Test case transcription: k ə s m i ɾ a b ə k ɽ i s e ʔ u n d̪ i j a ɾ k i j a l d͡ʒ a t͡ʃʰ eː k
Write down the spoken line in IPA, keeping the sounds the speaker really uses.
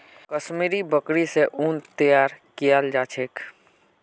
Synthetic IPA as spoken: k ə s m i ɾ i b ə k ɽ i s e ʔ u n t̪ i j a ɾ k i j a l d͡ʒ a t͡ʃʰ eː k

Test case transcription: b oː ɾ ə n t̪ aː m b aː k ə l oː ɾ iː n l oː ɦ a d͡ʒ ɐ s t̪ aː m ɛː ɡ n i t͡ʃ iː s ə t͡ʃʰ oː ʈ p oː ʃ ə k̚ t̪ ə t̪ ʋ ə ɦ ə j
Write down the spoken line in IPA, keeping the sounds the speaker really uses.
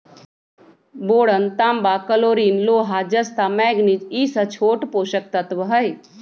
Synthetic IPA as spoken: b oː ɽ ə n t̪ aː m b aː k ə l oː ɾ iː n l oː ɦ a d͡ʒ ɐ s t̪ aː m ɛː ɡ n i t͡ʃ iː s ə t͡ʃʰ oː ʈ p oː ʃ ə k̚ t̪ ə t̪ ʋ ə ɦ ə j

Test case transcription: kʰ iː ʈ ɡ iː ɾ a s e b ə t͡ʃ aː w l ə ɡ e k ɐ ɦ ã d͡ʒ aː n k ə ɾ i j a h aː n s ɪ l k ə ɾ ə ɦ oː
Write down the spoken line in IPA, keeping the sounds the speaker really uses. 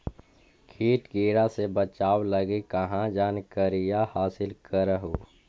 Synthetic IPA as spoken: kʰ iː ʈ ɡ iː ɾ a s e b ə t͡ʃ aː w l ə ɡ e k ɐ ɦ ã d͡ʒ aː n k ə ɾ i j a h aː s ɪ l k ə ɾ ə ɦ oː

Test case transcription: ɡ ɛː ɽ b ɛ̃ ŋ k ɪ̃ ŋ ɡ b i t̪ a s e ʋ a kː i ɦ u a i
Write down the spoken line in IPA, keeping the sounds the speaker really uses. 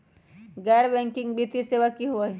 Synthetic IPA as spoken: ɡ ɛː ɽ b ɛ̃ ŋ k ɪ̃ ŋ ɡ b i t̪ i s e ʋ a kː i ɦ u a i

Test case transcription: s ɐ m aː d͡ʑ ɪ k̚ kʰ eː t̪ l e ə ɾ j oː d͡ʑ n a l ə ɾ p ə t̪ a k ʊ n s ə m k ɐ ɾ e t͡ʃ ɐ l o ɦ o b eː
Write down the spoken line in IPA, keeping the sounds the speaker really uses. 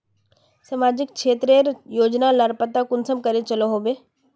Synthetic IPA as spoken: s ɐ m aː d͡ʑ ɪ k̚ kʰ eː t̪ ɾ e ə ɾ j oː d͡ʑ n a l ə ɾ p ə t̪ a k ʊ n s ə m k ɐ ɾ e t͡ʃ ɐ l o ɦ o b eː

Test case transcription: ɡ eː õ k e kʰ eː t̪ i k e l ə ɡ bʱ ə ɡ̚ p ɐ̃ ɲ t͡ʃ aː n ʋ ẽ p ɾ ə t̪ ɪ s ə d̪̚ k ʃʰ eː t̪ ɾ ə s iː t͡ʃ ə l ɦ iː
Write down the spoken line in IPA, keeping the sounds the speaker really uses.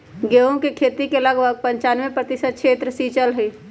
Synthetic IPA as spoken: ɡ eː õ k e kʰ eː t̪ i k e l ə ɡ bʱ ə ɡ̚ p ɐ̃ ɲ t͡ʃ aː n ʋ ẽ p ɾ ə t̪ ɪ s ə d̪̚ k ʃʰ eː t̪ ɾ ə s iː t͡ʃ ə l ɦ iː

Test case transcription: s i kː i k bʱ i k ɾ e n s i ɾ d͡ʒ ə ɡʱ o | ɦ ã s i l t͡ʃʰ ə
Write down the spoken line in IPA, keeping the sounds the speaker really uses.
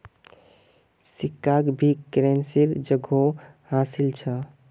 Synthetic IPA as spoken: s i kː a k bʱ i k ɾ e n s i ɾ d͡ʒ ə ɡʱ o | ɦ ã s i l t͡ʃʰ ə

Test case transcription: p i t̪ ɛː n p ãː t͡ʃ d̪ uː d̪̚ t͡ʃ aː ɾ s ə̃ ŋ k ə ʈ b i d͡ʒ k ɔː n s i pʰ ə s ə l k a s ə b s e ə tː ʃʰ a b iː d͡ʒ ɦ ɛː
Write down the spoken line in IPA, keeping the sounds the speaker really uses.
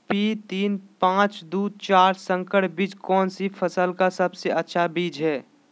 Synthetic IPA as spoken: p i t̪ iː n p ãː t͡ʃ d̪ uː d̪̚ t͡ʃ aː ɾ s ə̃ ŋ k ə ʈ b i d͡ʒ k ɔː n s i pʰ ə s ə l k a s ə b s e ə tː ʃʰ a b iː d͡ʒ ɦ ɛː

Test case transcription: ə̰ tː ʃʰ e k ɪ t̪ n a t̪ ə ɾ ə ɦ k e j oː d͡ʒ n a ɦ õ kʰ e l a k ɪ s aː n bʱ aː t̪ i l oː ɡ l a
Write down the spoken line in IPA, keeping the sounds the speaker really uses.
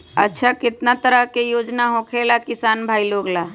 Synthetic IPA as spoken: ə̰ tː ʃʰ a k ɪ t̪ n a t̪ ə ɾ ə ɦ k e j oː d͡ʒ n a ɦ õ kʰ e l a k ɪ s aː n bʱ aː i l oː ɡ l a

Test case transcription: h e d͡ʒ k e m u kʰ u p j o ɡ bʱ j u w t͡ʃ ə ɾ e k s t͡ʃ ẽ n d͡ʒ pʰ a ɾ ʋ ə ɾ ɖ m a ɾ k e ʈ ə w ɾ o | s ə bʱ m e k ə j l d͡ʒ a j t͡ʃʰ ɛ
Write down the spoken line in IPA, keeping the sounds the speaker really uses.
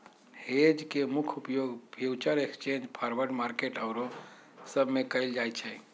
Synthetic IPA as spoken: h e d͡ʒ k e m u kʰ u p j o ɡ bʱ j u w t͡ʃ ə ɾ e k s t͡ʃ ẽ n d͡ʒ pʰ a ɾ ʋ ə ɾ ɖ m a ɾ k e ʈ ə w ɾ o | s ə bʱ m e k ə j l d͡ʒ a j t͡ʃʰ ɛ

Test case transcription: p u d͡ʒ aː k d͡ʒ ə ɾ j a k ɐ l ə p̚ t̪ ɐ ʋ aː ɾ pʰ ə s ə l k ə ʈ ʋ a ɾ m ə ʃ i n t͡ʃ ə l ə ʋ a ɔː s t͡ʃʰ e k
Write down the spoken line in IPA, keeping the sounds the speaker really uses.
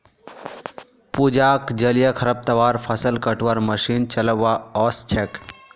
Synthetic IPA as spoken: p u d͡ʒ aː k d͡ʒ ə l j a kʰ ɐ ɾ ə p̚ t̪ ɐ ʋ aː ɾ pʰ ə s ə l k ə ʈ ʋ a ɾ m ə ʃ i n t͡ʃ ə l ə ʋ a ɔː s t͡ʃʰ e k

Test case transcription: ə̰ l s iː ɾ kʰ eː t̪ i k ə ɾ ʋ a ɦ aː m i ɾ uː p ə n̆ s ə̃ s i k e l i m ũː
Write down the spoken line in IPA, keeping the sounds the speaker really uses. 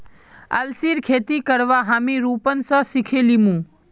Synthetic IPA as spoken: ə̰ l s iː ɾ kʰ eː t̪ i k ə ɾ ʋ a ɦ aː m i ɾ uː p ə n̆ s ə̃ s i kʰ e l i m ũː

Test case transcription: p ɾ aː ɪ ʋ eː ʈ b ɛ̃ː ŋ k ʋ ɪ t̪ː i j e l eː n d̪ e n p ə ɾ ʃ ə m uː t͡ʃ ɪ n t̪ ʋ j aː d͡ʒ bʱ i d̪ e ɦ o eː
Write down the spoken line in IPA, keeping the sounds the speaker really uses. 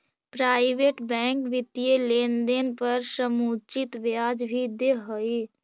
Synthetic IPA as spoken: p ɾ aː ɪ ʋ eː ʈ b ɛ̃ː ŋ k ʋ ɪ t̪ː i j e l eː n d̪ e n p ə ɾ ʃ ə m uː t͡ʃ ɪ t̪ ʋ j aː d͡ʒ bʱ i d̪ e ɦ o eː

